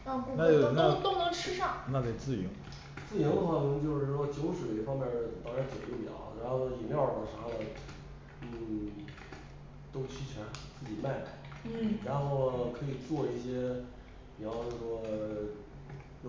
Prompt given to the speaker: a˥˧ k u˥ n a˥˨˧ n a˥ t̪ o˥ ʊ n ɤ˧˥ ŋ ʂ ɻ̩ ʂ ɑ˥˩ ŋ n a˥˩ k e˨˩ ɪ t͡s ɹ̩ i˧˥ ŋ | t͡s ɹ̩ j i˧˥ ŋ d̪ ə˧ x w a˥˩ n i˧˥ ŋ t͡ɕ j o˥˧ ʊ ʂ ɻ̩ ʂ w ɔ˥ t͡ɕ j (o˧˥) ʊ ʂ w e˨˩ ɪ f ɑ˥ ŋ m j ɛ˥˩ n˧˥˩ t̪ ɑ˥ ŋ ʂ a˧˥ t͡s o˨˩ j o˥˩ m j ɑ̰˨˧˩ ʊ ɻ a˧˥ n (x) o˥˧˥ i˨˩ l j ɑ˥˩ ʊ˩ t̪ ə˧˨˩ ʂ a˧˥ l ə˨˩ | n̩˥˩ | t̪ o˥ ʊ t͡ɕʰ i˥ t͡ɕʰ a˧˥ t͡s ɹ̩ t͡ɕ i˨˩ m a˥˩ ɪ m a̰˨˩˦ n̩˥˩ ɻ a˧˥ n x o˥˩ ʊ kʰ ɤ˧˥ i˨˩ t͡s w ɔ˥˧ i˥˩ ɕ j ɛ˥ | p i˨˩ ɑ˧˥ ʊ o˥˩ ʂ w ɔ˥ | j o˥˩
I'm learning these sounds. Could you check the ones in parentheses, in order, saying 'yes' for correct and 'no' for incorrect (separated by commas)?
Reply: yes, yes